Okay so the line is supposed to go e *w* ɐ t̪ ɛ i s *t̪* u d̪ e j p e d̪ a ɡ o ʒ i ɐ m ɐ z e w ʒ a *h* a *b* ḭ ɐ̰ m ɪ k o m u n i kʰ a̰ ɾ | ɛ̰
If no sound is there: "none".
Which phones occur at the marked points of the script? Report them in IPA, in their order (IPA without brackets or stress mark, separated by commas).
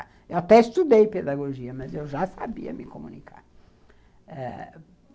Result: w, t̪, s, b